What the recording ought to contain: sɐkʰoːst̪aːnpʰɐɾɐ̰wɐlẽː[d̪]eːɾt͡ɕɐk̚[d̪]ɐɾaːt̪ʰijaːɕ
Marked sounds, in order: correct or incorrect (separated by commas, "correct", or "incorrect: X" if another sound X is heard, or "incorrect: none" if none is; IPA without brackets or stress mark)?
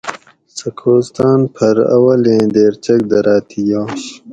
correct, correct